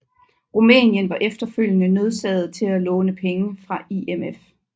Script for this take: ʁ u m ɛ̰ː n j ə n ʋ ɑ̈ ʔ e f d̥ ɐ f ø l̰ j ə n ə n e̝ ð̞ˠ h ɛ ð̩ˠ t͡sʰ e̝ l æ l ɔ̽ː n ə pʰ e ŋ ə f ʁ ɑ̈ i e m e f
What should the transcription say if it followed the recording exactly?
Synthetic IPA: ʁ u m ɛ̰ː n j ə n ʋ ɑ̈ ʔ e f d̥ ɐ f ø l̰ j ə n ə n e̝ ð̞ˠ s ɛ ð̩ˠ t͡sʰ e̝ l æ l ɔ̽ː n ə pʰ e ŋ ə f ʁ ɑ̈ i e m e f